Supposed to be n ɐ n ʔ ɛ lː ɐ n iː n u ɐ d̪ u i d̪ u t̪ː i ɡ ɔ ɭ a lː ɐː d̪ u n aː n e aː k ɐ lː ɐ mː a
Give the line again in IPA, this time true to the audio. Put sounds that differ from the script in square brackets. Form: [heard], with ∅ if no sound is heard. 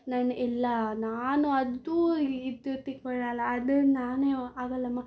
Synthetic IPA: n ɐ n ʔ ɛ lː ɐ n [aː] n u ɐ d̪ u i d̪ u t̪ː i [k] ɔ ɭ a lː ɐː d̪ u n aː n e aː [ɡ] ɐ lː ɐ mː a

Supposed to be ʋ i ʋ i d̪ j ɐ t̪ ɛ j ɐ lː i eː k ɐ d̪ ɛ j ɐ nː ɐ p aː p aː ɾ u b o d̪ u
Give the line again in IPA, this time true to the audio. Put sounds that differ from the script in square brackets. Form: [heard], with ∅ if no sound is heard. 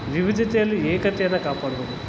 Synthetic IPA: ʋ i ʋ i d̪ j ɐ t̪ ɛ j ɐ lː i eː k ɐ [t̪] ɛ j ɐ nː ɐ [k] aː p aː [ɽ] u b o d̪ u

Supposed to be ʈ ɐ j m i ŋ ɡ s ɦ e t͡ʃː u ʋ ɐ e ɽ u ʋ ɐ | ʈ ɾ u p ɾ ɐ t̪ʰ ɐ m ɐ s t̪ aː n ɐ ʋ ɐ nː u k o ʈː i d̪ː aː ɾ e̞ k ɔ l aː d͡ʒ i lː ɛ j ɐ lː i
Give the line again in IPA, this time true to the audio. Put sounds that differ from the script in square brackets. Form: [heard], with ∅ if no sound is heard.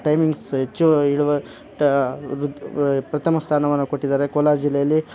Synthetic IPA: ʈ ɐ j m i ŋ ɡ s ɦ e t͡ʃː u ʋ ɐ [i] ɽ u ʋ ɐ | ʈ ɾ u p ɾ ɐ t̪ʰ ɐ m ɐ s [t̪ʰ] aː n ɐ ʋ ɐ nː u k o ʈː i [d̪] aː ɾ e̞ k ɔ l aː d͡ʒ i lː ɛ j ɐ lː i

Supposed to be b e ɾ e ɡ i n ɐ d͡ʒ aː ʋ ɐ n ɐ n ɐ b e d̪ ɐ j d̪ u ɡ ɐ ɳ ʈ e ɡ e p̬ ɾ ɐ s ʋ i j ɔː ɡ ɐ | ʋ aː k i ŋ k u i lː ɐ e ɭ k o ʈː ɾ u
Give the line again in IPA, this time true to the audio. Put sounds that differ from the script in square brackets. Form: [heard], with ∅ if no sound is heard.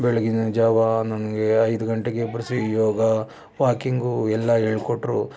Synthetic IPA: b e [ɭ] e ɡ i n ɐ d͡ʒ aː ʋ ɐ n ɐ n ɐ [ɡ] e [∅] ɐ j d̪ u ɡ ɐ ɳ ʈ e ɡ e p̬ ɾ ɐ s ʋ i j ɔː ɡ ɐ | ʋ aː k i ŋ [ɡ] u [ɛ] lː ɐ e ɭ k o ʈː ɾ u

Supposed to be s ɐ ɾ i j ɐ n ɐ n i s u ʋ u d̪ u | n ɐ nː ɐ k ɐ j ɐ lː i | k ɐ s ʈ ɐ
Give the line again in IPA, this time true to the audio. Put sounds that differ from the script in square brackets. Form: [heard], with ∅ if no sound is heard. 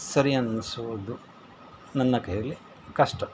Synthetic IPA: s ɐ ɾ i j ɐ n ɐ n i s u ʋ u d̪ u | n ɐ nː ɐ k ɐ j ɐ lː i | k ɐ [ʂ] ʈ ɐ

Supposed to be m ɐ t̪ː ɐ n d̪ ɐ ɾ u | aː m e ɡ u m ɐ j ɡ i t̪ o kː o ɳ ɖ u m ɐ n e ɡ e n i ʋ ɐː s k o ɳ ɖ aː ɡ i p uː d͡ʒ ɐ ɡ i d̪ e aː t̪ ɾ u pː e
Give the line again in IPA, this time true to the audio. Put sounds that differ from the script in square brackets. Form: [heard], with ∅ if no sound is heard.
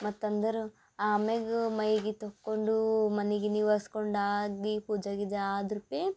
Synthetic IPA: m ɐ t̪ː ɐ n d̪ ɐ ɾ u | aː m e ɡ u m ɐ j ɡ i t̪ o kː o ɳ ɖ u m ɐ n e ɡ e n i ʋ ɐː s k o ɳ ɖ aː ɡ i p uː d͡ʒ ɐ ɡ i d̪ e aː [d̪] ɾ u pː e

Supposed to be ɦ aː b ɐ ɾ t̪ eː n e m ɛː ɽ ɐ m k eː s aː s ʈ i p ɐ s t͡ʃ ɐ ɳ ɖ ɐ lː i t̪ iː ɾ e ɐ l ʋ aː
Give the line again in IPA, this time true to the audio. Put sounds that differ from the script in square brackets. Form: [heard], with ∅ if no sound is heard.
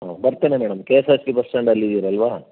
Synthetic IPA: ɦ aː b ɐ ɾ t̪ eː n e m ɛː ɽ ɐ m k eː s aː s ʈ i p ɐ s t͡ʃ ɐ ɳ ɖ ɐ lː i [d̪] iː ɾ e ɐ l ʋ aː

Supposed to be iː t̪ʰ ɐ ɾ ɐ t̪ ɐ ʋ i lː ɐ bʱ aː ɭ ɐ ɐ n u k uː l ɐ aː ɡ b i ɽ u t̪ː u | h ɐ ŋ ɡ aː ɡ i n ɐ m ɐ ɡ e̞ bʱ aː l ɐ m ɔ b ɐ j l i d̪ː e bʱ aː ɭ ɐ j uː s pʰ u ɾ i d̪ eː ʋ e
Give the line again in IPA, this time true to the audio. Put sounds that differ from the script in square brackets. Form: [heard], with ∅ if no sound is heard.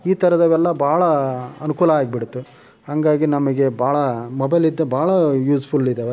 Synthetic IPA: iː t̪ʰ ɐ ɾ ɐ [d̪] ɐ ʋ [ɛ] lː ɐ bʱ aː ɭ ɐ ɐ n u k uː l ɐ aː ɡ b i ɽ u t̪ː u | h ɐ ŋ ɡ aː ɡ i n ɐ m ɐ ɡ e̞ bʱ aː [ɭ] ɐ m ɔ b ɐ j l i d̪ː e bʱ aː ɭ ɐ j uː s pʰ u [l] i d̪ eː ʋ e

